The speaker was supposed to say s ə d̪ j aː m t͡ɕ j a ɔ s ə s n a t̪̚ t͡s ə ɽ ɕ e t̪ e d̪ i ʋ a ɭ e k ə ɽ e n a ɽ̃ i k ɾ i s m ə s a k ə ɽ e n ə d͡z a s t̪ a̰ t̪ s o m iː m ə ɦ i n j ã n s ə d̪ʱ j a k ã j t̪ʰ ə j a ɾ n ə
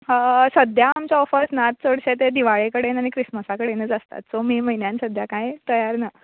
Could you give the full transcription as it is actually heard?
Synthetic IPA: s ə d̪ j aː m t͡ɕ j a ɔ f ə s n a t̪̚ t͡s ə ɽ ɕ e t̪ e d̪ i ʋ a ɭ e k ə ɽ e n a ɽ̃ i k ɾ i s m ə s a k ə ɽ e n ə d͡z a s t̪ a̰ t̪ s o m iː m ə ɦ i n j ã n s ə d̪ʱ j a k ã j t̪ ə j a ɾ n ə